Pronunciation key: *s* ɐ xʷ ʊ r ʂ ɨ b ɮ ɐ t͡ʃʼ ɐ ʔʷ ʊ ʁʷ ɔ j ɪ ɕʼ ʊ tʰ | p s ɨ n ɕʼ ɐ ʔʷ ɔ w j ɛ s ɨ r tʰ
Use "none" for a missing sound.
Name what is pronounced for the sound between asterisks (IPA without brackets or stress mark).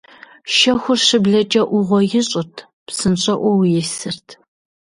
ʃ